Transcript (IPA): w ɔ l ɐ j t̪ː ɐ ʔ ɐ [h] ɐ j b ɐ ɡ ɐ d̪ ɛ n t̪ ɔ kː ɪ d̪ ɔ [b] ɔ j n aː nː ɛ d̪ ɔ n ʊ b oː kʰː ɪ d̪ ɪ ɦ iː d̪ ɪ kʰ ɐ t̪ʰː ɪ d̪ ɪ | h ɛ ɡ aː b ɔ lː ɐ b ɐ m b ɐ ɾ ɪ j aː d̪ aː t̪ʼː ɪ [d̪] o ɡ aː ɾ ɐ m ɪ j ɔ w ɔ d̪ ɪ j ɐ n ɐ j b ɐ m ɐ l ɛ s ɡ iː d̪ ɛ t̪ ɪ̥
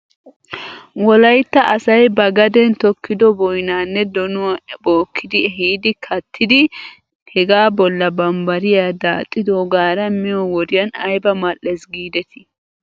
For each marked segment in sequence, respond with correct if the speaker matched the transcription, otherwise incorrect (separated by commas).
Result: incorrect, correct, correct